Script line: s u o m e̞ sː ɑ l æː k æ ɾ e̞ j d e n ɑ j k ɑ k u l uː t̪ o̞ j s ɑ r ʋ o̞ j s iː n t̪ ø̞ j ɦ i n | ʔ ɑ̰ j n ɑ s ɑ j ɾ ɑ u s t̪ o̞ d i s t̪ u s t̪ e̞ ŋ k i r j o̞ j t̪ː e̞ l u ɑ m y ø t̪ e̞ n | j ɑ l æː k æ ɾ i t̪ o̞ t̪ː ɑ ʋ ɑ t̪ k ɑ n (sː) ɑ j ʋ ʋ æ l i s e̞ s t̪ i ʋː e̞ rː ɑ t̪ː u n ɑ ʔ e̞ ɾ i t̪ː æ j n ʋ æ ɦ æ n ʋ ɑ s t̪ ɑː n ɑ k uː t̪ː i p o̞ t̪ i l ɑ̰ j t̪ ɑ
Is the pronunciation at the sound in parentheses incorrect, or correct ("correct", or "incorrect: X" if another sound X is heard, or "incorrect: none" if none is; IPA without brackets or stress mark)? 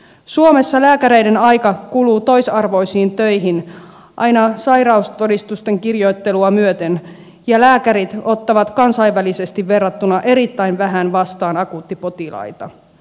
incorrect: s